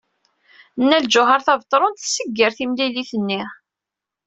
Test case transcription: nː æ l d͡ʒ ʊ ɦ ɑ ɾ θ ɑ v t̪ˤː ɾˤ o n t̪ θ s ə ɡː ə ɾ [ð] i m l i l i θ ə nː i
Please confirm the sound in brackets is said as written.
no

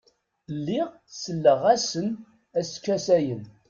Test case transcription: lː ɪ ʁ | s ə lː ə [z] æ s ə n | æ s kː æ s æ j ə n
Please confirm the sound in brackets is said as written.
no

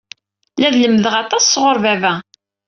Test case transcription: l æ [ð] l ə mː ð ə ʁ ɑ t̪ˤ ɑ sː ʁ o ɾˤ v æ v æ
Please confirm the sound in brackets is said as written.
yes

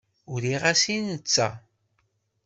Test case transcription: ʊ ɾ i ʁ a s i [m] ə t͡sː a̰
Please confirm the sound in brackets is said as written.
no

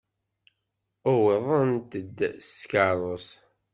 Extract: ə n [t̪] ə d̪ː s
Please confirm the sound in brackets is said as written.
yes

